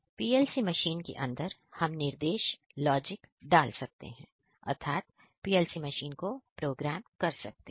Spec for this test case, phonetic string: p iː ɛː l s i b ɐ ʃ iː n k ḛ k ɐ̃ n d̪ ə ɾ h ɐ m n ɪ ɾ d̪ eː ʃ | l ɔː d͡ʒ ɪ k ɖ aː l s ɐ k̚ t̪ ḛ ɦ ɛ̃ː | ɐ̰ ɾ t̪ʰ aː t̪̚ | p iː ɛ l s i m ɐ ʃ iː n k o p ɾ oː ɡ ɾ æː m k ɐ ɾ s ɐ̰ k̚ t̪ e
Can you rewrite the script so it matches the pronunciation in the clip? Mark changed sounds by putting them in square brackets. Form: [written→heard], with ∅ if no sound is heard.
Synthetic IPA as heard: p iː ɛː l s i [b→m] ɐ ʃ iː n k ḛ [k→ʔ] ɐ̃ n d̪ ə ɾ h ɐ m n ɪ ɾ d̪ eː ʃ | l ɔː d͡ʒ ɪ k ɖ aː l s ɐ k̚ t̪ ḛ ɦ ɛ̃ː | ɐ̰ ɾ t̪ʰ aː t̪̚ | p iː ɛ l s i m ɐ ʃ iː n k o p ɾ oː ɡ ɾ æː m k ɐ ɾ s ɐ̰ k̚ t̪ e